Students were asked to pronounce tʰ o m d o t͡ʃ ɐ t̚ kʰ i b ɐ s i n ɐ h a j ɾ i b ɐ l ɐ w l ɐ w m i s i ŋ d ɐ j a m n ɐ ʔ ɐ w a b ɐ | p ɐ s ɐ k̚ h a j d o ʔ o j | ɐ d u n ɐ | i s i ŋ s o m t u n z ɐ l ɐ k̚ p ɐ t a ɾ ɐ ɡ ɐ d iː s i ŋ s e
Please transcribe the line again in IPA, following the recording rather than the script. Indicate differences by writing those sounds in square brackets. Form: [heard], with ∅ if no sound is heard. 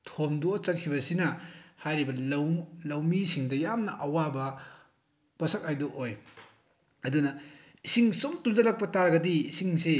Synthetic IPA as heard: tʰ o m d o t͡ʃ ɐ t̚ kʰ i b ɐ s i n ɐ h a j ɾ i b ɐ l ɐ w l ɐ w m i s i ŋ d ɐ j a m n ɐ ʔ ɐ w a b ɐ | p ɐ s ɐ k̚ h a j d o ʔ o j | ɐ d u n ɐ | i s i ŋ s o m t u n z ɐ l ɐ k̚ p ɐ t a ɾ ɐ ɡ ɐ d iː s i ŋ s e